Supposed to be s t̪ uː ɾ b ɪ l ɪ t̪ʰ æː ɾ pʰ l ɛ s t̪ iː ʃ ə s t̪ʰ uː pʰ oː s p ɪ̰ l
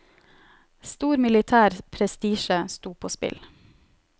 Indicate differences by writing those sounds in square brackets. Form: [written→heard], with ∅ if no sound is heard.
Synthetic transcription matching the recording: s t̪ uː ɾ [b→m] ɪ l ɪ t̪ʰ æː ɾ pʰ [l→ɾ] ɛ s t̪ iː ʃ ə s [t̪ʰ→t̪] uː pʰ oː s p ɪ̰ l